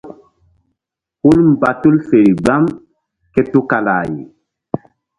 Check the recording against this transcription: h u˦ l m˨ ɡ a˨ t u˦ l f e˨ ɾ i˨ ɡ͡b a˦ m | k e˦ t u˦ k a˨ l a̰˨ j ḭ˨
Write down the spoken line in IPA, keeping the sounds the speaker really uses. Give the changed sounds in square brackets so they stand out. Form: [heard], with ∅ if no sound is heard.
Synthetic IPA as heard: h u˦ l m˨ [b] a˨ t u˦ l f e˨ ɾ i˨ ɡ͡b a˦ m | k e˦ t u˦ k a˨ l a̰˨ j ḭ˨